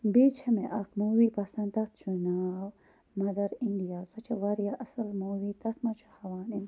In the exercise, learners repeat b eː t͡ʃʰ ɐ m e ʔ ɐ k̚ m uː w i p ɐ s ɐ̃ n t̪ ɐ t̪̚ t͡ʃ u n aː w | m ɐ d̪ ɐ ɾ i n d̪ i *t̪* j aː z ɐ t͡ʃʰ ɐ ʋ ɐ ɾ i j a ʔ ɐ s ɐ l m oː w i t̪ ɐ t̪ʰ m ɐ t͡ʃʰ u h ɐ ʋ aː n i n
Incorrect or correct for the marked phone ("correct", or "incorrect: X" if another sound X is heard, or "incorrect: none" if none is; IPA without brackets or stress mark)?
incorrect: none